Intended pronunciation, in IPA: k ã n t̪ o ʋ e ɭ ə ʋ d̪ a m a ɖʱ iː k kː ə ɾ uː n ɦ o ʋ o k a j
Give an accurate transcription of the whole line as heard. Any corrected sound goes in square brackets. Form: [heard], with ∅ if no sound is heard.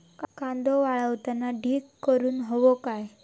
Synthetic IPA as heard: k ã n [d̪] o ʋ [a] ɭ ə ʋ [t̪] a [n] a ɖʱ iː k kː ə ɾ uː n ɦ o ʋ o k a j